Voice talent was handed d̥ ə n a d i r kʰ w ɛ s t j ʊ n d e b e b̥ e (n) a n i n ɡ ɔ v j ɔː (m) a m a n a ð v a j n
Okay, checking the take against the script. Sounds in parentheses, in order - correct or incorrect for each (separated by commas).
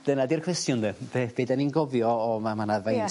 incorrect, correct